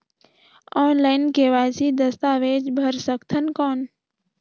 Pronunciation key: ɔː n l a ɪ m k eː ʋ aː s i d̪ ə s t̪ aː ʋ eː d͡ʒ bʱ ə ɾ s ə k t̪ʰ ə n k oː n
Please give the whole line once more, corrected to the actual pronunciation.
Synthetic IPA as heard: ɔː n l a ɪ n k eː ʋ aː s i d̪ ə s t̪ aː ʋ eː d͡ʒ bʱ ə ɾ s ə k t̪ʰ ə n k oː n